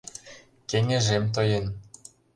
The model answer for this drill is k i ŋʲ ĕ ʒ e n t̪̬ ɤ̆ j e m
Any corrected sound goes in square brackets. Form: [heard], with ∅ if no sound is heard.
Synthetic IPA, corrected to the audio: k [e] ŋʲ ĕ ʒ e [m] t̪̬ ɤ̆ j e [n]

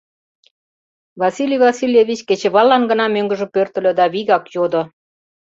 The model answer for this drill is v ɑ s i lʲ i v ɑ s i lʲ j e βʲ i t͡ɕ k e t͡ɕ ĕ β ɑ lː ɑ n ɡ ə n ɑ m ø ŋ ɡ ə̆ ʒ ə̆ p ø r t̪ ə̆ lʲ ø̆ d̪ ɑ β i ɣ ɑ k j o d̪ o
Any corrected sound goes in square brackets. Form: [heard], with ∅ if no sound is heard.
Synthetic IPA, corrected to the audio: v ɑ s i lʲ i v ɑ s i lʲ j e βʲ i t͡ɕ k e t͡ɕ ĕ β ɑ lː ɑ n ɡ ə n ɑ m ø ŋ ɡ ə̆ ʒ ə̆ p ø r t̪ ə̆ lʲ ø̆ d̪ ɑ β i ɣ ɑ k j o d̪ o

